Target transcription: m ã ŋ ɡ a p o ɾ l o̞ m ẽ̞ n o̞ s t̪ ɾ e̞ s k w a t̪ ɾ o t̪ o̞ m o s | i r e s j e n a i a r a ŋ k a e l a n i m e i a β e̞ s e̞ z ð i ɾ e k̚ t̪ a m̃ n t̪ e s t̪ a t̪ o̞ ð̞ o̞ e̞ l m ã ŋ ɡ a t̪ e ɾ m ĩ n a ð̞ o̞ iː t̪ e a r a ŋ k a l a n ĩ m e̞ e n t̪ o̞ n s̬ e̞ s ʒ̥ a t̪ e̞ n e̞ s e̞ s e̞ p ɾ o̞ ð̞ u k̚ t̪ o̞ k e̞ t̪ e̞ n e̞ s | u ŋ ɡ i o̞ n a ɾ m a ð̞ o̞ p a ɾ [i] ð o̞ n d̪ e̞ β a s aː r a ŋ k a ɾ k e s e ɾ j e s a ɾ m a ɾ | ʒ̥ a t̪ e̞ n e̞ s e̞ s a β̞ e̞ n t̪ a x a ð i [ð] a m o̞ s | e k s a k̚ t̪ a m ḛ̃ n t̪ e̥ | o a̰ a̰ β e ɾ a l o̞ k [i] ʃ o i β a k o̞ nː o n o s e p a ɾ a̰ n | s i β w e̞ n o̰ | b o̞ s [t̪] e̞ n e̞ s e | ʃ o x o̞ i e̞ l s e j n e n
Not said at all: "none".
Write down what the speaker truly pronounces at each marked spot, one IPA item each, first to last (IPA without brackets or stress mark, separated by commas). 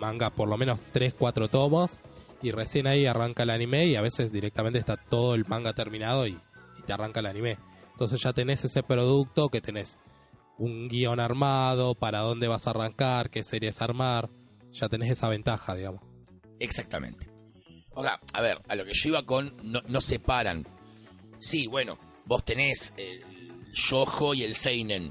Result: a, ɣ, e, t̪